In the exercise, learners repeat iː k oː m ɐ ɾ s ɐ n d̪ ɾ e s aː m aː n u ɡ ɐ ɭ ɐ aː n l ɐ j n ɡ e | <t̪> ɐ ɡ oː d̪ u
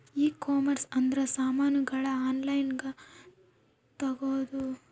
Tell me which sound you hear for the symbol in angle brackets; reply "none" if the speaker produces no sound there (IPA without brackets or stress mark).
t̪